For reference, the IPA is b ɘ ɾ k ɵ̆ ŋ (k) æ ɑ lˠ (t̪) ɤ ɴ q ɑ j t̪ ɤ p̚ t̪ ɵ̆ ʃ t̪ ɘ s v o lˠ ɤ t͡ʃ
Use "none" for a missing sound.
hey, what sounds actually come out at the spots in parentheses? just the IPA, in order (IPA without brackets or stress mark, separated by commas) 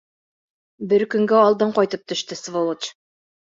ɡ, d̪